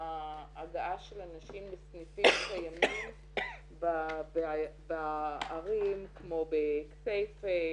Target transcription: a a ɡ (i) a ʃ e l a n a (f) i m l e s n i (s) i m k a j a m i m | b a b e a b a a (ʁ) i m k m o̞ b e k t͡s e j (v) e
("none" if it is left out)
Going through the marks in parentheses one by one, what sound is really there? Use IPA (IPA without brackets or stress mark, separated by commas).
a, ʃ, f, ʁ, f